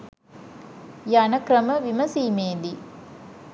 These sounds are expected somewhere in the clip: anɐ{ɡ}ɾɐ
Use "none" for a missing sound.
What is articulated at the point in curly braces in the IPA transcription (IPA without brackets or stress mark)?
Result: k